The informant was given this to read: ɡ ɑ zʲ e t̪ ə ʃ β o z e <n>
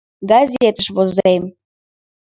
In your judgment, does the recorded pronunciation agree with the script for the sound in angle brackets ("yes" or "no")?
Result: no